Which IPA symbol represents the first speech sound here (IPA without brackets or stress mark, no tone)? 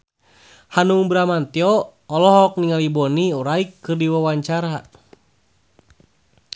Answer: h